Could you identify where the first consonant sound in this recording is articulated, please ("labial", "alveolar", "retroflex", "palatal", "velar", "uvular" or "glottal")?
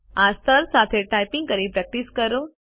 alveolar